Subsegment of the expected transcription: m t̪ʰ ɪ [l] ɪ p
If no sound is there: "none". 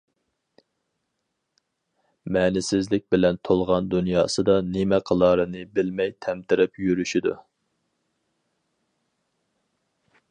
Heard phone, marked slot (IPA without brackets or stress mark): ɾ